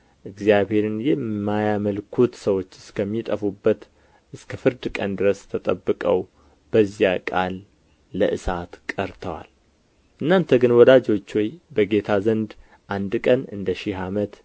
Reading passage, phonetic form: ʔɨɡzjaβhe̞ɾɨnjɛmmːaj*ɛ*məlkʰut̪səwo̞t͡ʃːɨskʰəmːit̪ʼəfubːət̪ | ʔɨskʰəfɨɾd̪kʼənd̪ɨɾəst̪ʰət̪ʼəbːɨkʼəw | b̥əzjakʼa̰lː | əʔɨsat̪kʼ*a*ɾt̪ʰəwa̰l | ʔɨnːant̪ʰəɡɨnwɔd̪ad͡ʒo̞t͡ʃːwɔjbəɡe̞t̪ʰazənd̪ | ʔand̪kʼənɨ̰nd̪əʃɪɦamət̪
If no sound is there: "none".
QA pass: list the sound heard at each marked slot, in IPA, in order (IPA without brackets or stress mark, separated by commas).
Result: a, ə